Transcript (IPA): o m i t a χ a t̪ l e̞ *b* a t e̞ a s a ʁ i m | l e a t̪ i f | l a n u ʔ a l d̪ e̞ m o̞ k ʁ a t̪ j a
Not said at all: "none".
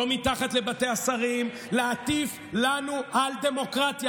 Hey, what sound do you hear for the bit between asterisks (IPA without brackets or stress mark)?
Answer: b